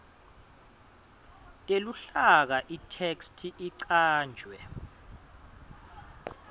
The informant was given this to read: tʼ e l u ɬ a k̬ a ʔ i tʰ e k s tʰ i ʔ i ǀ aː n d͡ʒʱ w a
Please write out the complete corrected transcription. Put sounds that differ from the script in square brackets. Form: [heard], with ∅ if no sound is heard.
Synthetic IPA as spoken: tʼ e l u ɬ a k̬ a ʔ i tʰ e k s tʰ i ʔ i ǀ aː n d͡ʒʱ w [ɛ]